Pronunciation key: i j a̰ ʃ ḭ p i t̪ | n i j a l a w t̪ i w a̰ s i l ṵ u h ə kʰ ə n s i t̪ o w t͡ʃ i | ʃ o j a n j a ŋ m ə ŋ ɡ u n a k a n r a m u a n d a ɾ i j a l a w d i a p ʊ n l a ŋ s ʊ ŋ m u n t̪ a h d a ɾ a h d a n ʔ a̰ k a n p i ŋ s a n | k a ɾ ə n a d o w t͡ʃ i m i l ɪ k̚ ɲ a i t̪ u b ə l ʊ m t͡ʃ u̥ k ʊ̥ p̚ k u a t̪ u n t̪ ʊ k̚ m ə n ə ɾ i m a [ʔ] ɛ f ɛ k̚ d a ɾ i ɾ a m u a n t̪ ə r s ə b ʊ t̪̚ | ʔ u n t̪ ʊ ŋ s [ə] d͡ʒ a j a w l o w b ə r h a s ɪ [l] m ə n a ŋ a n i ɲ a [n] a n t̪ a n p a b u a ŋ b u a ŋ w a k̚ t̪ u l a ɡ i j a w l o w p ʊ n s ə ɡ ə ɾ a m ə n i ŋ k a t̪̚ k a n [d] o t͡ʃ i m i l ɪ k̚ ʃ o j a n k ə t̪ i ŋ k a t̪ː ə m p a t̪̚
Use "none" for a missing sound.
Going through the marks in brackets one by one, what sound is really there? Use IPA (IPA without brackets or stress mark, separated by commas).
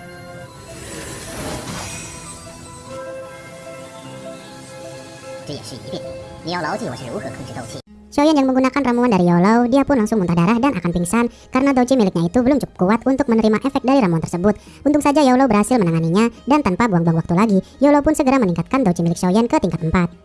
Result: ʔ, a, l, d, d